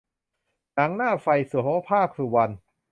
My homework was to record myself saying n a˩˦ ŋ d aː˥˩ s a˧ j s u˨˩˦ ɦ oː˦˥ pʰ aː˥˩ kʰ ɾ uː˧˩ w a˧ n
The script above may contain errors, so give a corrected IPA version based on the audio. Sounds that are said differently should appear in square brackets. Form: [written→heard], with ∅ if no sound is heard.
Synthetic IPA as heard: n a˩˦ ŋ [d→n] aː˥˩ [s→f] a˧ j s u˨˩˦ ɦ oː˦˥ pʰ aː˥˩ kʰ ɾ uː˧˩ w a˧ n